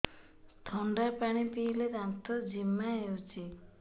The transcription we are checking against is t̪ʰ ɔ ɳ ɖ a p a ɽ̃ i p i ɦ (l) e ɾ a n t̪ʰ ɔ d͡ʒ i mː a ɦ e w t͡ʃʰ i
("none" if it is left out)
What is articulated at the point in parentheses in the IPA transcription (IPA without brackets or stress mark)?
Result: l